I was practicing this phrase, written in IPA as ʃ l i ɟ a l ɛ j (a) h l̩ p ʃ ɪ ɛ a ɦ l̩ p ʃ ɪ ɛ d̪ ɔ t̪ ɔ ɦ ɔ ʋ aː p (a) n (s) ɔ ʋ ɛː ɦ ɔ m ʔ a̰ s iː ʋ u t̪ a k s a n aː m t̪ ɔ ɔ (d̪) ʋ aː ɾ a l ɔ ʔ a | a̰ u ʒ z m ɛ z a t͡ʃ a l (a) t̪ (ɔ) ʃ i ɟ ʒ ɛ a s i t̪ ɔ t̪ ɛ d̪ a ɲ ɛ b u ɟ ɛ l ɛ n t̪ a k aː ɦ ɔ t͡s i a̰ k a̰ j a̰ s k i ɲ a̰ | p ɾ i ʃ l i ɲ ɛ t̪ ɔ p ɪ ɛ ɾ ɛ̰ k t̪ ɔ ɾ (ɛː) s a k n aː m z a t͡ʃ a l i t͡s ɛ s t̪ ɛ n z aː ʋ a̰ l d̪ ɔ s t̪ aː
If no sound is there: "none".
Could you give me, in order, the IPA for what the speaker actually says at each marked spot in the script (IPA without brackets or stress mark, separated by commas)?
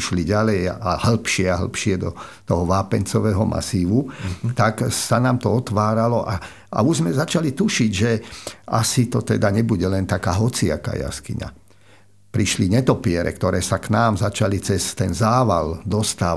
a, ɛ, t͡s, t̪, i, u, ɛː